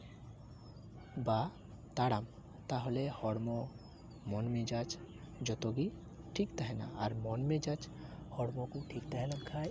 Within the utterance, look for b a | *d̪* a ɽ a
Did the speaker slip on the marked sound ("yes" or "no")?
yes